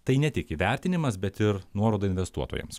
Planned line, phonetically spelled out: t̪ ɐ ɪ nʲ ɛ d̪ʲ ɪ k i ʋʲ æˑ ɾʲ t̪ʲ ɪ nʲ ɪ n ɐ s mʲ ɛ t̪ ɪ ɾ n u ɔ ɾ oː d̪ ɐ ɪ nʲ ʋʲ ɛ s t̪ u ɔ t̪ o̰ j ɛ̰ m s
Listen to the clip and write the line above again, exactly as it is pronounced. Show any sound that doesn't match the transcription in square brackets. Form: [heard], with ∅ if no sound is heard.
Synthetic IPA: t̪ ɐ ɪ nʲ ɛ [t̪ʲ] ɪ k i ʋʲ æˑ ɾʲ t̪ʲ ɪ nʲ ɪ [m] ɐ s [bʲ] ɛ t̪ ɪ ɾ n u ɔ ɾ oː d̪ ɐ ɪ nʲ ʋʲ ɛ s t̪ u ɔ t̪ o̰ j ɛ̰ m s